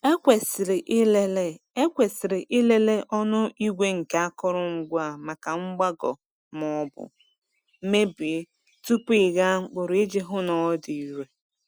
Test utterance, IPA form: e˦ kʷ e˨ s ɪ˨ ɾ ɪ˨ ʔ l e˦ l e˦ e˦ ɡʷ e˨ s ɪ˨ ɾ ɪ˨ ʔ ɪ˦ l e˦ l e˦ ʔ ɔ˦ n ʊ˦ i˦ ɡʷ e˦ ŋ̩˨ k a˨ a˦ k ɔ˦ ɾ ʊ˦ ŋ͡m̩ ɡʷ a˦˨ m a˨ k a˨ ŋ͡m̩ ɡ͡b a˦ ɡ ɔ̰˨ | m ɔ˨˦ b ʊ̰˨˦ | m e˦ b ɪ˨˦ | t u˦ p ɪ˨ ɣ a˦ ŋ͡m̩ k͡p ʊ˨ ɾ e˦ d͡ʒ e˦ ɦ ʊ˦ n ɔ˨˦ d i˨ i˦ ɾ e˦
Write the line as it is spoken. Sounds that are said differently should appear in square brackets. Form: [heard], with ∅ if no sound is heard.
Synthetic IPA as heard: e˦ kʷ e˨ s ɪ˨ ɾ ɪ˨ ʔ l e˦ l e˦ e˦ [kʷ] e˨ s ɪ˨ ɾ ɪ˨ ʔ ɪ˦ l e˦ l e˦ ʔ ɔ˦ n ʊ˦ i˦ ɡʷ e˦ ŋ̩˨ k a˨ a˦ k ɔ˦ ɾ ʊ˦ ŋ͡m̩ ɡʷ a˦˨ m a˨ k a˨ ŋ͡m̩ ɡ͡b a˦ ɡ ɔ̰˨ | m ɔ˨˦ b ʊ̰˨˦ | m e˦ b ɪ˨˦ | t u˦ p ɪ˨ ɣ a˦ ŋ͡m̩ k͡p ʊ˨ ɾ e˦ d͡ʒ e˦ ɦ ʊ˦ n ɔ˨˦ d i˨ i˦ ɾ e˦

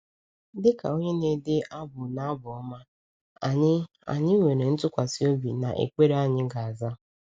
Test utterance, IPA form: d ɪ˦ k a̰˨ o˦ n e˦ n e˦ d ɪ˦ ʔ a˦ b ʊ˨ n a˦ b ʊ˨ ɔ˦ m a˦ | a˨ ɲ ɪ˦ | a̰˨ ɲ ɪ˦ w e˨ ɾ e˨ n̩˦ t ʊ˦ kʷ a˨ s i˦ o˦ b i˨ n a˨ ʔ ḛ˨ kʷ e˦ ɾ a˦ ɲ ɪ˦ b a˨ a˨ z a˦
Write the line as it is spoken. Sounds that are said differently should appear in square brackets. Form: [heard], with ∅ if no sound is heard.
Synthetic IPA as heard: d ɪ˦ k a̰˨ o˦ [ɲ] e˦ n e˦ d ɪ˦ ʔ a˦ b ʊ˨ n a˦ b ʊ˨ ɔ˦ m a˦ | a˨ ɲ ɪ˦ | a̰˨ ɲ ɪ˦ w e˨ ɾ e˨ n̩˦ t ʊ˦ kʷ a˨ s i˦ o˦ b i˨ n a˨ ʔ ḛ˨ kʷ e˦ ɾ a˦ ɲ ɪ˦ [ɡ] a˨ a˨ z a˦

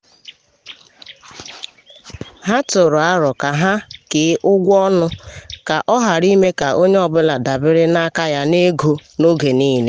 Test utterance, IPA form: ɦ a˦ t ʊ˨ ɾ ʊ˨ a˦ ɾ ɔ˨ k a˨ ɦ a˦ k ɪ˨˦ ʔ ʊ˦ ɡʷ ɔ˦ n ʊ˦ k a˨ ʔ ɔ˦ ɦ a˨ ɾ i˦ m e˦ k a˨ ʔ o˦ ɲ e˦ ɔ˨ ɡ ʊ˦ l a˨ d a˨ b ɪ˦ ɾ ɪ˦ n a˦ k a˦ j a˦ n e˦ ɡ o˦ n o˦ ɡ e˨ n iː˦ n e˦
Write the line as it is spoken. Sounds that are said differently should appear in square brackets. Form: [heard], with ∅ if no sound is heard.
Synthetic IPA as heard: ɦ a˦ t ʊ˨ ɾ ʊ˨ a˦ ɾ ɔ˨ k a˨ ɦ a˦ k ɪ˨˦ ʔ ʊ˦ ɡʷ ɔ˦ n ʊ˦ k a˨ ʔ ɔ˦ ɦ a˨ ɾ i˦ m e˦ k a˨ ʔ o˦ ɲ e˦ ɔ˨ [b] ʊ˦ l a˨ d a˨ b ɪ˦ ɾ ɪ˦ n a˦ k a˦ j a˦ n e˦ ɡ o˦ n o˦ ɡ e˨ n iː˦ n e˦

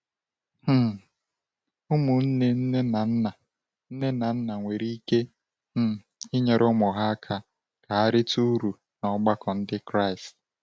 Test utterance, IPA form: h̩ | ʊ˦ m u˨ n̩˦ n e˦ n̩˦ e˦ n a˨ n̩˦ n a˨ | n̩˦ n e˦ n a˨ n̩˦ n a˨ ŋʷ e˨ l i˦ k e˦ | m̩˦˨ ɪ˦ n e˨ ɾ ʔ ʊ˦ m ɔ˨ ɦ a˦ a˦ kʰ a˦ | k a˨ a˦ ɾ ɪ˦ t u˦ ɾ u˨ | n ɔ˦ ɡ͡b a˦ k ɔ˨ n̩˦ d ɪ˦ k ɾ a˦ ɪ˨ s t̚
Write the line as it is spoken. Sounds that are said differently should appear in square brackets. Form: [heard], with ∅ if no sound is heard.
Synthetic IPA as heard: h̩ | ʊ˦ m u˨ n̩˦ n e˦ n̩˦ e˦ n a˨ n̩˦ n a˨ | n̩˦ n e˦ n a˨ n̩˦ n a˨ ŋʷ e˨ [ɾ] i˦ k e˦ | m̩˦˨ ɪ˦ [ɲ] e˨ ɾ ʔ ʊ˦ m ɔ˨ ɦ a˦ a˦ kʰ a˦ | k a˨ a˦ ɾ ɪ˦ t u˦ ɾ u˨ | n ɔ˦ ɡ͡b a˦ k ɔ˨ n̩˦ d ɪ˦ k ɾ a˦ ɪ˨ s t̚

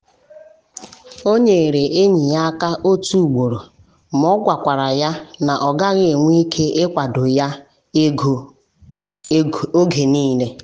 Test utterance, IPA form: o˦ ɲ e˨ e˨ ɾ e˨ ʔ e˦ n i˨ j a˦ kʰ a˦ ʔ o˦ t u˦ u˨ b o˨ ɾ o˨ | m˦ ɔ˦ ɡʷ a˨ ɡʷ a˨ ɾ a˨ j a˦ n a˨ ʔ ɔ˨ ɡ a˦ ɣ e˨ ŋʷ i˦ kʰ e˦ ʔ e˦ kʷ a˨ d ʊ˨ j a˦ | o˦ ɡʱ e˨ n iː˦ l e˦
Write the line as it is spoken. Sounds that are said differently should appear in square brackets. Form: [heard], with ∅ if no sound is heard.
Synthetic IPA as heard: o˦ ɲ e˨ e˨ ɾ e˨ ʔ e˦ [ɲ] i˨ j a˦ [k] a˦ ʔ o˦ t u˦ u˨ [ɡ͡b] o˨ ɾ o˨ | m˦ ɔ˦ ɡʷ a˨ [kʷ] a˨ ɾ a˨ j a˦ n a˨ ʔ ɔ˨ ɡ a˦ ɣ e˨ ŋʷ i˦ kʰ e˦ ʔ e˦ kʷ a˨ d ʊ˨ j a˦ | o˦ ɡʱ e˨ n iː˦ l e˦

